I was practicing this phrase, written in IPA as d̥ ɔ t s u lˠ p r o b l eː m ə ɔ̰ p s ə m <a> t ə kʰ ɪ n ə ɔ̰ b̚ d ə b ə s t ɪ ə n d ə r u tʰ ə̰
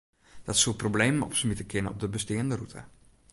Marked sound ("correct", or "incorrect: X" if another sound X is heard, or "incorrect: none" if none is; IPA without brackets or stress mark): incorrect: i